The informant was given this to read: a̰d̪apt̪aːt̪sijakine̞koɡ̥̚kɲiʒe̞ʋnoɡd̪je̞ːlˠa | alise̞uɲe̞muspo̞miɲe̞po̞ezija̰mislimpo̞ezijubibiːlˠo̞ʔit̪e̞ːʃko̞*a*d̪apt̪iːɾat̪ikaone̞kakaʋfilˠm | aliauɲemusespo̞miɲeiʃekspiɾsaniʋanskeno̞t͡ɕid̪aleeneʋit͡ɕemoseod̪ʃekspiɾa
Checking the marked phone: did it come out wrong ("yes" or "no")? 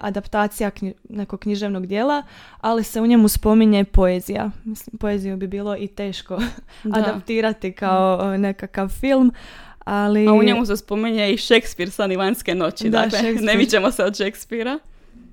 no